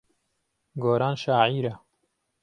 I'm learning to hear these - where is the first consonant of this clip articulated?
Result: velum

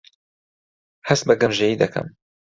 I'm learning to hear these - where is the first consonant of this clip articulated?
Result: throat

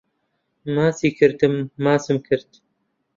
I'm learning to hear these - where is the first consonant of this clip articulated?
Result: lips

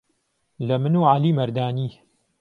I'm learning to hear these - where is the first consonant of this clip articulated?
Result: tongue tip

